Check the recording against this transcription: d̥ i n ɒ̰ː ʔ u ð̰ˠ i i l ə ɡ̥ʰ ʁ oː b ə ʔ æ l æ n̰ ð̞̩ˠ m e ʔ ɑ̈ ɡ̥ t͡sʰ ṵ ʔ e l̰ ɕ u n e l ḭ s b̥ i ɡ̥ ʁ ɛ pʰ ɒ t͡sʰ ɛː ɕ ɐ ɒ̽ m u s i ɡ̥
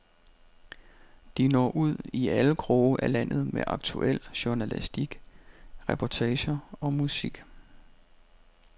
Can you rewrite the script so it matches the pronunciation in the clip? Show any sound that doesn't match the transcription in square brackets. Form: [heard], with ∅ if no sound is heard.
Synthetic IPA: d̥ i n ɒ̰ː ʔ u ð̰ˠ i [æ] l ə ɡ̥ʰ ʁ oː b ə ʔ æ l æ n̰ ð̞̩ˠ m e ʔ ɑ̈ ɡ̥ t͡sʰ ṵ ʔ e l̰ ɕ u n [æ] l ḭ s [d̥] i ɡ̥ ʁ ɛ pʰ ɒ t͡sʰ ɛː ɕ ɐ ɒ̽ m u s i ɡ̥

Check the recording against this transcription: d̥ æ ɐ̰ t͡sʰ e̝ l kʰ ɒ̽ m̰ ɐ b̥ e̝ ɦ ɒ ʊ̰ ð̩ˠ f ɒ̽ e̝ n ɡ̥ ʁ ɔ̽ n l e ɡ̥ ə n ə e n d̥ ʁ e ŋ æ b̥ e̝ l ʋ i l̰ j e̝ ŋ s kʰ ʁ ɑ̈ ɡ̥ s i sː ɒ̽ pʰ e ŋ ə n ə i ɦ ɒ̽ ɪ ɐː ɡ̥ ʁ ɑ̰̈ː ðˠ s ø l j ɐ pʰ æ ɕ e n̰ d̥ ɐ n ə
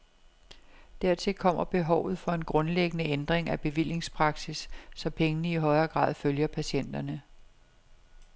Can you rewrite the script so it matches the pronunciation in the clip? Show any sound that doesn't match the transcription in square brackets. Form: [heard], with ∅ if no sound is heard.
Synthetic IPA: d̥ æ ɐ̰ t͡sʰ e̝ l kʰ ɒ̽ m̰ ɐ b̥ e̝ ɦ ɒ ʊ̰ ð̩ˠ f ɒ̽ e̝ n ɡ̥ ʁ ɔ̽ n l e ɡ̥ ə n ə e n d̥ ʁ e ŋ æ b̥ e̝ [∅] ʋ i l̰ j e̝ ŋ s [pʰ] ʁ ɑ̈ ɡ̥ s i sː ɒ̽ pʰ e ŋ ə n ə i ɦ ɒ̽ ɪ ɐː ɡ̥ ʁ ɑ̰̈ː ðˠ [f] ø l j ɐ pʰ æ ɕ e n̰ d̥ ɐ n ə

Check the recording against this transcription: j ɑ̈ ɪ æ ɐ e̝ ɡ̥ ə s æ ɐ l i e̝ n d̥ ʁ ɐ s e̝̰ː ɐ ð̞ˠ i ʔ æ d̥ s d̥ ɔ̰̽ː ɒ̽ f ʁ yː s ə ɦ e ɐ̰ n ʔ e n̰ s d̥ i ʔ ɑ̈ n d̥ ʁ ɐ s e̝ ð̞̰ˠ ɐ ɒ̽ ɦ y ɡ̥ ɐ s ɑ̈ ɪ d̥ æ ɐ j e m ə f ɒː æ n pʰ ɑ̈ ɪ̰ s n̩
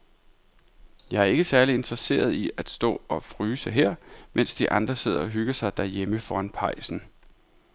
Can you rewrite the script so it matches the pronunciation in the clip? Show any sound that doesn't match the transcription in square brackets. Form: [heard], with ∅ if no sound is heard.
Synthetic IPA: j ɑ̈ ɪ æ ɐ e̝ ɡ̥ ə s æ ɐ l i e̝ n d̥ ʁ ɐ s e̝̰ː ɐ ð̞ˠ i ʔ æ d̥ s d̥ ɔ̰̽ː ɒ̽ f ʁ yː s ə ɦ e ɐ̰ [m] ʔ e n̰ s d̥ i ʔ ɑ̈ n d̥ ʁ ɐ s e̝ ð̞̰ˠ ɐ ɒ̽ ɦ y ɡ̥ ɐ s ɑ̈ ɪ d̥ æ ɐ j e m ə f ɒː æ n pʰ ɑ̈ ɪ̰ s n̩

